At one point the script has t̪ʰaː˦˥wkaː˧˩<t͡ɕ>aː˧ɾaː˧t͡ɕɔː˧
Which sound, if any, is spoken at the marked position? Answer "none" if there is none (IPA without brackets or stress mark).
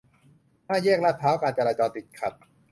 t͡ɕ